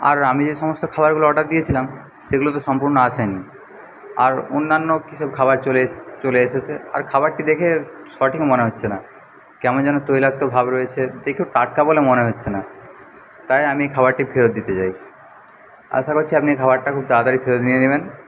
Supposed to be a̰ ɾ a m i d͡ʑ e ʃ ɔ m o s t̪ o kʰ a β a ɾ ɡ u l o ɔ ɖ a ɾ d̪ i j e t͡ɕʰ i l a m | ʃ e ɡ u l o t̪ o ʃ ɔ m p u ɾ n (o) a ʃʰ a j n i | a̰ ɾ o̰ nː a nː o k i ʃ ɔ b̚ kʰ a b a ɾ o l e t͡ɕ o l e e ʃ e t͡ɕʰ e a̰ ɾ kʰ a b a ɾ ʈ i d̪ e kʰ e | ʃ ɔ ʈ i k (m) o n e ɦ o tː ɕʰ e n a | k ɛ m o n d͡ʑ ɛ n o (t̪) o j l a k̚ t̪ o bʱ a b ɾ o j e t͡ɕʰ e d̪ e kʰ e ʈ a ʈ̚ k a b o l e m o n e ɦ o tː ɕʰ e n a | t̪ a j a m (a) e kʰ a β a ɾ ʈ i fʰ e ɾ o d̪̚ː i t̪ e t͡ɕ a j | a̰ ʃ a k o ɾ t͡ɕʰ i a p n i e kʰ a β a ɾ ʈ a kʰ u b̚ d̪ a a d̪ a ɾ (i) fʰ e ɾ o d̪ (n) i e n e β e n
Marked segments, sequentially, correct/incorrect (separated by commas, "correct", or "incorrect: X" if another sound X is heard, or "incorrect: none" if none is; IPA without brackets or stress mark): correct, correct, correct, incorrect: i, correct, correct